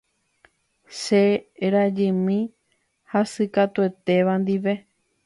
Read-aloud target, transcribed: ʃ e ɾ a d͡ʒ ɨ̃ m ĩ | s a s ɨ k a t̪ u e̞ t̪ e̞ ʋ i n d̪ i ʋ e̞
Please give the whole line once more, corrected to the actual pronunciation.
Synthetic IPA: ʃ e ɾ a d͡ʒ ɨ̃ m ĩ | h a s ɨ k a t̪ u e̞ t̪ e̞ ʋ a n d̪ i ʋ e̞